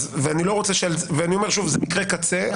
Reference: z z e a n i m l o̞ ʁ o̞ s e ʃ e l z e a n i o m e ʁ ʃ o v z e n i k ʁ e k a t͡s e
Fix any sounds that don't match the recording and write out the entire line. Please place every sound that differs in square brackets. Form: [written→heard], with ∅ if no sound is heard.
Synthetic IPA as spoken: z [z→v] e a n i [m→∅] l o̞ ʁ o̞ [s→t͡s] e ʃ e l [z→v] e a n i o m e ʁ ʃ [o→u] v z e [n→m] i k ʁ e k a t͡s e